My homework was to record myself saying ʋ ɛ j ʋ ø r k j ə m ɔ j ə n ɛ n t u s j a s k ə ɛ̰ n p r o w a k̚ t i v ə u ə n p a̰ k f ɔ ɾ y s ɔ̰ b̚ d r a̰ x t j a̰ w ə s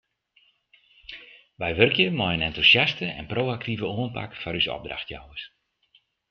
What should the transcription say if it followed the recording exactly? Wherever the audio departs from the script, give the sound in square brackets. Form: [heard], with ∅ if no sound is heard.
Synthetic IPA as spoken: ʋ ɛ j ʋ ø r k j ə m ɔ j ə n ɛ n t u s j a s [t] ə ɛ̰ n p r o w a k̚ t i v ə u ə n p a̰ k f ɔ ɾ y s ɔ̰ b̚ d r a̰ x t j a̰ w ə s